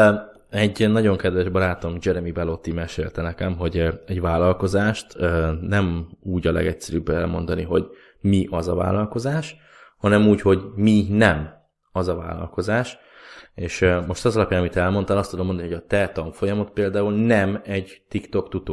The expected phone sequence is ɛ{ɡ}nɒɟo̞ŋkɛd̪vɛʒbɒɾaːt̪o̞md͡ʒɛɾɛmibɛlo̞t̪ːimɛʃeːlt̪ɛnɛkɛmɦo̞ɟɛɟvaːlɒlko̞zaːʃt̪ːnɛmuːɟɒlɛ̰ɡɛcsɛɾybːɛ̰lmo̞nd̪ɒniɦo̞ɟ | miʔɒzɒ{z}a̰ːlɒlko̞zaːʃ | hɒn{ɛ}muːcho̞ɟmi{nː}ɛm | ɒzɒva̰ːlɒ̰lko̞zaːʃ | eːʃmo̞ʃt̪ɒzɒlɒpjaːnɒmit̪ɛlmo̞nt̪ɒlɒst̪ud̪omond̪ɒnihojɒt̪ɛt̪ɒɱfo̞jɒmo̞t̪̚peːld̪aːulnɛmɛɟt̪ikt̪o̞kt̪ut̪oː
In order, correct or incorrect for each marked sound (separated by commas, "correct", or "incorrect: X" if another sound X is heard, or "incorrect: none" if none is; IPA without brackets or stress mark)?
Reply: incorrect: ɟ, incorrect: v, correct, incorrect: n